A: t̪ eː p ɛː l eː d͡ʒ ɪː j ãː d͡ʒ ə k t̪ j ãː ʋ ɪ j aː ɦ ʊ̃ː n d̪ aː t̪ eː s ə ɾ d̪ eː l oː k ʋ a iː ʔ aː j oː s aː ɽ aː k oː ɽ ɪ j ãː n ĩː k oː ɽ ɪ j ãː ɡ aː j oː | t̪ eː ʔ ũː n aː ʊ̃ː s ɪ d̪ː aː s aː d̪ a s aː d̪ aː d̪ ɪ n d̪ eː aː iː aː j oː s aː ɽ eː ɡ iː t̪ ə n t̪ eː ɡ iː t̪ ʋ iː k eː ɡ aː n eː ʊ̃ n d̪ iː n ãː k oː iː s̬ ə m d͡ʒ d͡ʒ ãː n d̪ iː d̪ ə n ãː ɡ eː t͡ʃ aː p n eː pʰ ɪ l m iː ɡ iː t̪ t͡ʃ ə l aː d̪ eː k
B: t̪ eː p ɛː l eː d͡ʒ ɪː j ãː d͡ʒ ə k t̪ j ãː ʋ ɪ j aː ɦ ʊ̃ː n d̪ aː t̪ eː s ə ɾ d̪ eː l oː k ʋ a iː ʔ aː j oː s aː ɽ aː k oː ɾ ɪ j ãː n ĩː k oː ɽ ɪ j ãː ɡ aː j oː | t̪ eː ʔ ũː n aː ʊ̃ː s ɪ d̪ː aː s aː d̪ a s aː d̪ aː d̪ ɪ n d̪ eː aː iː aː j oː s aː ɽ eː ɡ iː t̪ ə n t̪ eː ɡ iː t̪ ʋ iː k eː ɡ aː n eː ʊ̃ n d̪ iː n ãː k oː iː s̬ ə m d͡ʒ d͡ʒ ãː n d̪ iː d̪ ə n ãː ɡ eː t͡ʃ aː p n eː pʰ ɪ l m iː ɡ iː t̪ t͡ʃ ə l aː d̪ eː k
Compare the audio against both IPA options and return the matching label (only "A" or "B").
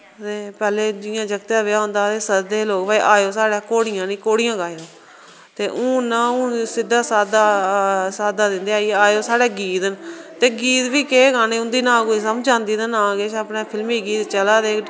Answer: A